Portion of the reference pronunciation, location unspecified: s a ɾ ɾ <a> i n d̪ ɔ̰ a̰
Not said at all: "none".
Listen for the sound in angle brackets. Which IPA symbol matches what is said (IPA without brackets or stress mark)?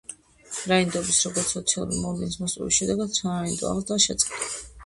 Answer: a